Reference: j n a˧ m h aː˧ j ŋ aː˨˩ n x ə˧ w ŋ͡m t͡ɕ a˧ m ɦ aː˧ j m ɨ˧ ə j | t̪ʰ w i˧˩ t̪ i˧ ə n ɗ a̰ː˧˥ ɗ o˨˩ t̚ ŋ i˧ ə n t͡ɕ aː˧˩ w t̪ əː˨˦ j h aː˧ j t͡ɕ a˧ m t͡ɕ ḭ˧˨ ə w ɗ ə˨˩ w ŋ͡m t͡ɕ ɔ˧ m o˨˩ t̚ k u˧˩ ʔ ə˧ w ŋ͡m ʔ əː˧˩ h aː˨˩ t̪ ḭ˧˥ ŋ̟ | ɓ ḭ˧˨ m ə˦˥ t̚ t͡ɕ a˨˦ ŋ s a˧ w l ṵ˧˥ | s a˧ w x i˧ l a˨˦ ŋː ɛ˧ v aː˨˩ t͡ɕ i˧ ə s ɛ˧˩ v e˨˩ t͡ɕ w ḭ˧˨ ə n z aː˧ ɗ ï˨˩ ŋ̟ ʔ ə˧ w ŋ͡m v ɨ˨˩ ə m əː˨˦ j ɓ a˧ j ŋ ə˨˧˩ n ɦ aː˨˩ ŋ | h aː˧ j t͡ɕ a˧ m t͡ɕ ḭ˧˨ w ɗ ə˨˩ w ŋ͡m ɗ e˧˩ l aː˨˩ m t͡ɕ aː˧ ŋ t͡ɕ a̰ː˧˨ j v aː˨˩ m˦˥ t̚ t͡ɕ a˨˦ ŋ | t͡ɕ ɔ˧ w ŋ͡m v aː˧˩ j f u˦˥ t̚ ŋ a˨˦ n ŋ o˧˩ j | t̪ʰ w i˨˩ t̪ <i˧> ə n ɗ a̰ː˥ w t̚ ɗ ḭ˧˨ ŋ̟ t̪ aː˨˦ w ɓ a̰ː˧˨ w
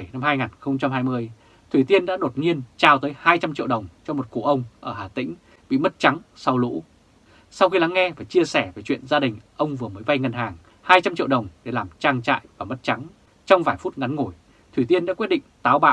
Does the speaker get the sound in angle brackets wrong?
no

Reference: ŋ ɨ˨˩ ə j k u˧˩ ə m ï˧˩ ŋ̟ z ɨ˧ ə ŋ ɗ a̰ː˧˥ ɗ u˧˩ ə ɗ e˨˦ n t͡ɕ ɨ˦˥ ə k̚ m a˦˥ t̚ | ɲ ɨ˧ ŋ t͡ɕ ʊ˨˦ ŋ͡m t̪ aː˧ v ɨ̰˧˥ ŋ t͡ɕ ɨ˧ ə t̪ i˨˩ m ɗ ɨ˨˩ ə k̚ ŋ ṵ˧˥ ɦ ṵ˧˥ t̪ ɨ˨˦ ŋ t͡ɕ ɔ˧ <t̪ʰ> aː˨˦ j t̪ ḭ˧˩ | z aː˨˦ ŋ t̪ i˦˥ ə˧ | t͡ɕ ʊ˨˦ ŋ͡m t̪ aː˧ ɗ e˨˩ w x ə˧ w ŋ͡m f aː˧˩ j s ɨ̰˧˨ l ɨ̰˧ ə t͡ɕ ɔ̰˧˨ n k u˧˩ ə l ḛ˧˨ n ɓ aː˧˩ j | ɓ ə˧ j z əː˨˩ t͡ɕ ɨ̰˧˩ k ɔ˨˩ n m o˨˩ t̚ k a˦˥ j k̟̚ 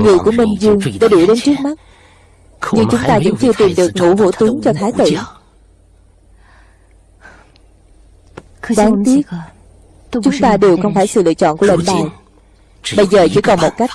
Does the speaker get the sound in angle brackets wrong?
no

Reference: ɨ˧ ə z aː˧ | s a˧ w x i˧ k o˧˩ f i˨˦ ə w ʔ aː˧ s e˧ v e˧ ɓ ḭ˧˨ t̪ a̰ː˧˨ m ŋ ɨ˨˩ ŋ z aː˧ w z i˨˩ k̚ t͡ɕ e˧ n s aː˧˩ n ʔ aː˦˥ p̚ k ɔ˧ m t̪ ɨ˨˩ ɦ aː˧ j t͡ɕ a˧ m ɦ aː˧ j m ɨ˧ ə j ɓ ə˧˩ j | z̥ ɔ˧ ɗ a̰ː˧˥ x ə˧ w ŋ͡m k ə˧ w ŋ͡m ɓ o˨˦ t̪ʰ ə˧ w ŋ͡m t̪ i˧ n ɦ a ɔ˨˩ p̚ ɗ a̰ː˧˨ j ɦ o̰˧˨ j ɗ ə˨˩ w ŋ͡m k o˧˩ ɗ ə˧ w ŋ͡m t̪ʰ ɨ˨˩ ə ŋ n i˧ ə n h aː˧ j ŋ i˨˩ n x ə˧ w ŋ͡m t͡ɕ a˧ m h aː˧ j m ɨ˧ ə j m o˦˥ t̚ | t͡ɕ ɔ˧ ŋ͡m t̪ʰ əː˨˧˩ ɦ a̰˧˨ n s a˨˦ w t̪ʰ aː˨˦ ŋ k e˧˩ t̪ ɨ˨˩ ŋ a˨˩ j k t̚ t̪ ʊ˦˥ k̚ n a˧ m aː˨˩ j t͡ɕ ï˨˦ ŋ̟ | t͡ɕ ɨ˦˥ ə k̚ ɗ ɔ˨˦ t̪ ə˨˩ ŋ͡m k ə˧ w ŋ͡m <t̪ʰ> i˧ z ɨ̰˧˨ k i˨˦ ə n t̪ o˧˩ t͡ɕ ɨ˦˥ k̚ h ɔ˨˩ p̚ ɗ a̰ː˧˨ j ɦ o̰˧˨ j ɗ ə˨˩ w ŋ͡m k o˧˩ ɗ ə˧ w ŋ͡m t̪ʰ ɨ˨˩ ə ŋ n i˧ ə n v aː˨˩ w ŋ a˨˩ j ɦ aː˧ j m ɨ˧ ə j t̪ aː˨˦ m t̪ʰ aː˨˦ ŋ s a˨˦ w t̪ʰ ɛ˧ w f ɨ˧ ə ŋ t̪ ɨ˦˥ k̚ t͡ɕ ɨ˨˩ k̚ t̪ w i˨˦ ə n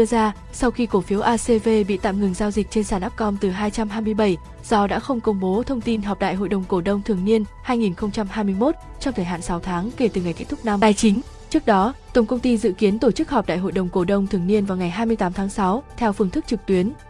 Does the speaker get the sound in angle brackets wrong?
yes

